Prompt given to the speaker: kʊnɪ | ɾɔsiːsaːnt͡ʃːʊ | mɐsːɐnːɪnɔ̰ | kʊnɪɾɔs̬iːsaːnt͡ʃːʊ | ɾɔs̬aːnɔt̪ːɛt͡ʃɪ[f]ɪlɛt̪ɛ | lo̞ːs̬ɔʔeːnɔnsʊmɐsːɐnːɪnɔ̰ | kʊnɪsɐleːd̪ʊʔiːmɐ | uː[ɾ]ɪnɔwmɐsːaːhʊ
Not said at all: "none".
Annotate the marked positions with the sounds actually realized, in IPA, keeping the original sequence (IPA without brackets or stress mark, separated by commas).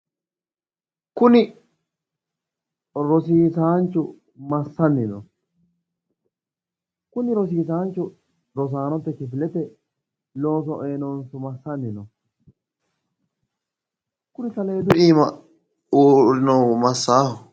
f, ɾ